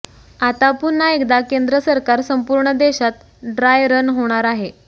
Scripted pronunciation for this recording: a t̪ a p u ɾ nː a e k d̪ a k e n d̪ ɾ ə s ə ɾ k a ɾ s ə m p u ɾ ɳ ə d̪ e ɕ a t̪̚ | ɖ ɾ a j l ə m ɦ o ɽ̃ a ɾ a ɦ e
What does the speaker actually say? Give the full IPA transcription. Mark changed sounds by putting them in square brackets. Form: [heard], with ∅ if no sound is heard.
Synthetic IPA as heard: a t̪ a p u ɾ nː a e k d̪ a k e n d̪ ɾ ə s ə ɾ k a ɾ s ə m p u ɾ ɳ ə d̪ e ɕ a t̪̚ | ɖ ɾ a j [ɾ] ə [n] ɦ o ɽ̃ a ɾ a ɦ e